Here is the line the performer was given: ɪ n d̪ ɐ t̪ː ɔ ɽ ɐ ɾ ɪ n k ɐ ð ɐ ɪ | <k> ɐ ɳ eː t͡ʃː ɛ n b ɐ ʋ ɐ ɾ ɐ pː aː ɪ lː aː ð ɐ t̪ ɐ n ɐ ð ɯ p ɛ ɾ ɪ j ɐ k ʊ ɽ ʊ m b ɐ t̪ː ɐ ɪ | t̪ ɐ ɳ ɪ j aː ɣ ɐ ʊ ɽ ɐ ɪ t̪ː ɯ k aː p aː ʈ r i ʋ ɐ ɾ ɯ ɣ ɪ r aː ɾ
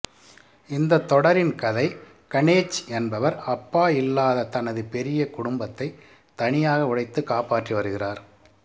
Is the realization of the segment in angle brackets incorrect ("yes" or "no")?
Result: no